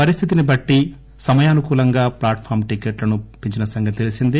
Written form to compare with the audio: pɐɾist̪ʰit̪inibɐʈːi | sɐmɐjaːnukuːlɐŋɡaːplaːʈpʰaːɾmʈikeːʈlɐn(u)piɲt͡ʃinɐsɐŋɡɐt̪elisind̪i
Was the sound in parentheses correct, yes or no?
yes